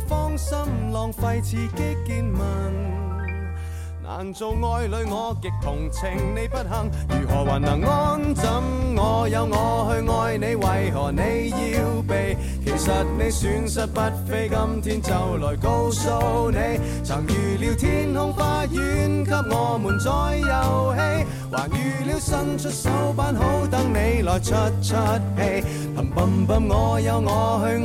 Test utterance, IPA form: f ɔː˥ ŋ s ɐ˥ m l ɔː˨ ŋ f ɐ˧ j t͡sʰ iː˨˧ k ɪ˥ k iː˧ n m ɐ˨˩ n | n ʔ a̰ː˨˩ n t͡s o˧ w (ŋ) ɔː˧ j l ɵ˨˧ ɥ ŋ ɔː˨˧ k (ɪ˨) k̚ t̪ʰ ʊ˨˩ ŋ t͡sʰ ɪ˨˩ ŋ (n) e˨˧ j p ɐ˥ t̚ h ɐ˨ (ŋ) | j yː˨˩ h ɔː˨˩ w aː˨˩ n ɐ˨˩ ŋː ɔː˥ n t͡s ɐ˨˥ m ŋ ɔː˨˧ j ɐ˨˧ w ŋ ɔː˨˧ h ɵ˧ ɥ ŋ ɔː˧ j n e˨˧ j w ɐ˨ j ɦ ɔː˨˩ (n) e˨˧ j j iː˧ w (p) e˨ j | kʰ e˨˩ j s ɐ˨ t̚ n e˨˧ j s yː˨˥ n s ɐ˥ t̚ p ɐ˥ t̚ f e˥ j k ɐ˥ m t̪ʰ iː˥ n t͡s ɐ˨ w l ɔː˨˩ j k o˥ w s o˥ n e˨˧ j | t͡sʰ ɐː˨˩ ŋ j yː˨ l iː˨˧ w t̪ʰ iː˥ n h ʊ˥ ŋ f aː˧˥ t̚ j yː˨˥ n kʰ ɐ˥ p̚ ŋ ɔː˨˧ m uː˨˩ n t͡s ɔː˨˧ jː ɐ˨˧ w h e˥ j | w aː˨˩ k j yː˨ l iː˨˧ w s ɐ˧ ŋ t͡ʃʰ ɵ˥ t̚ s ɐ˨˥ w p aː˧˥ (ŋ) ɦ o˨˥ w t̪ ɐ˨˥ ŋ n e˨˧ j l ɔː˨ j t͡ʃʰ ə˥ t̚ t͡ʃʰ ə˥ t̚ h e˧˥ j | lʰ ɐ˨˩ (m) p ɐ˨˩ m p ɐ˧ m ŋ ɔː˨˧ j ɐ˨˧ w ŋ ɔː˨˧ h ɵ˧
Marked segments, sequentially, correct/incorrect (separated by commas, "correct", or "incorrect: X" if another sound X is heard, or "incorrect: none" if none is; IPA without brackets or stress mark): correct, correct, correct, correct, correct, correct, incorrect: n, correct